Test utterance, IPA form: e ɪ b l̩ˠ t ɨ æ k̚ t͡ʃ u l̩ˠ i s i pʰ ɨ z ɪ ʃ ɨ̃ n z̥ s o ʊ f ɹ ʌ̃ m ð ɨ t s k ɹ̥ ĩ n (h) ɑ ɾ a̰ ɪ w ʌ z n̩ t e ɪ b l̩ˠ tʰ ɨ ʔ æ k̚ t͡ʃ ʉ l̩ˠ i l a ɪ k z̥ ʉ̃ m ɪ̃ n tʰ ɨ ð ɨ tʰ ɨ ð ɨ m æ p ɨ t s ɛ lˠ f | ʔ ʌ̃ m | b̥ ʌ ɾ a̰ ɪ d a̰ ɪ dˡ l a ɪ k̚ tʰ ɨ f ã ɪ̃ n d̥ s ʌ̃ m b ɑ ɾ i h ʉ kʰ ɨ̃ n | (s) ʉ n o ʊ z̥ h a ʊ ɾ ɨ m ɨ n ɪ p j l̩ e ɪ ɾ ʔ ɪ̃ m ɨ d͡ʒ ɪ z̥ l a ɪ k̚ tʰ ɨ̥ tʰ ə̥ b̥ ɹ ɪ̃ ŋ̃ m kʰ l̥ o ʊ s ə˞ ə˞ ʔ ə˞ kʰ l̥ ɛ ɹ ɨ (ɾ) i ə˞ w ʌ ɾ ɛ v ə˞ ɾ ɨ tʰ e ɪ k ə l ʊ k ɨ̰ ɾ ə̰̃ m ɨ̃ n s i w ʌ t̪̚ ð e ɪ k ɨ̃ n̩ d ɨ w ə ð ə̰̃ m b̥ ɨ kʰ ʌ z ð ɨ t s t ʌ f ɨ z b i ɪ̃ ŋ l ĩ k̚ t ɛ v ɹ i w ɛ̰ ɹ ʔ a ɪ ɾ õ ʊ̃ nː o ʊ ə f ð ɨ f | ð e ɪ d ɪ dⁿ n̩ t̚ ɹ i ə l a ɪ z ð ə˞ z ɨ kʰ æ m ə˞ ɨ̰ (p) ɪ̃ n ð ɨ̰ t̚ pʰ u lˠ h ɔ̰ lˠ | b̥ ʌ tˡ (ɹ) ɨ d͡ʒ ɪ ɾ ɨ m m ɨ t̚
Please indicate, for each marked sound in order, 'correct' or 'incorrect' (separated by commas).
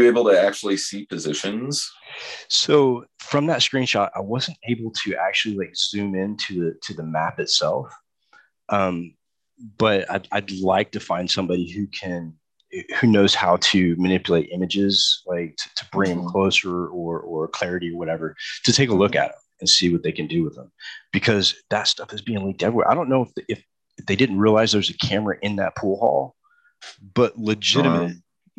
incorrect, incorrect, correct, incorrect, incorrect